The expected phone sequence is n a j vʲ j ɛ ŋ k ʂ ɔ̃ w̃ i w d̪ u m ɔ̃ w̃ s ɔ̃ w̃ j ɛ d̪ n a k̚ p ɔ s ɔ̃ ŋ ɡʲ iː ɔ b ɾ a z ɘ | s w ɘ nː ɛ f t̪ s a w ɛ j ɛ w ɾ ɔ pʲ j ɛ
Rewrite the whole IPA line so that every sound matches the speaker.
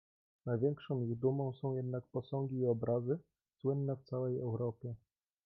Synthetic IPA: n a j vʲ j ɛ ŋ k ʂ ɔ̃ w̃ i ɣ d̪ u m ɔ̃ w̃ s ɔ̃ w̃ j ɛ d̪ n a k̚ p ɔ s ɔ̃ ŋ ɡʲ iː ɔ b ɾ a z ɘ | s w ɘ nː ɛ f t̪ s a w ɛ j ɛ w ɾ ɔ pʲ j ɛ